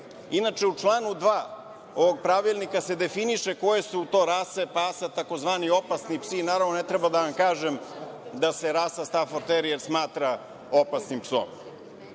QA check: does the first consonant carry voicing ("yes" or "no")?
yes